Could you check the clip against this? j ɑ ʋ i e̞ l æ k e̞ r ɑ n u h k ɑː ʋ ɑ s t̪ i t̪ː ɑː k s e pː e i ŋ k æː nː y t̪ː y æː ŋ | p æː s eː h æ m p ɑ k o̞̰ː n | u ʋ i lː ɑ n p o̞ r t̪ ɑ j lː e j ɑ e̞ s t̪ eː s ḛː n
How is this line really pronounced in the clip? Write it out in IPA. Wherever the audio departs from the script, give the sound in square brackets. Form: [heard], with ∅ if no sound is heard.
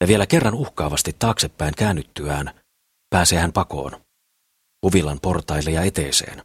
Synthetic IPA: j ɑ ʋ i e̞ l æ k e̞ [rː] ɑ n u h k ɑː ʋ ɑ s t̪ i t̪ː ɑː k s e pː [æ] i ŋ k æː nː y t̪ː y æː [n] | p æː s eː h æ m p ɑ k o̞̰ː n | u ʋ i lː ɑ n p o̞ r t̪ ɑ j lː e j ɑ e̞ [∅] t̪ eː s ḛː n